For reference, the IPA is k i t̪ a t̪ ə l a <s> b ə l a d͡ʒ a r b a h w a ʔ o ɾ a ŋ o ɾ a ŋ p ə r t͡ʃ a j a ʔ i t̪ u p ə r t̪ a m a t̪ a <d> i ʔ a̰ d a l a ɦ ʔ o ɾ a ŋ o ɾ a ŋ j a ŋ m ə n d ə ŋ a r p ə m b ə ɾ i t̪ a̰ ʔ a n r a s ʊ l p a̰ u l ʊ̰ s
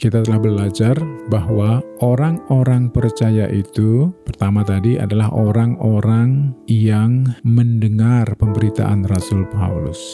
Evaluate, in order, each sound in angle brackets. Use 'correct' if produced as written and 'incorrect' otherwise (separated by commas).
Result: incorrect, correct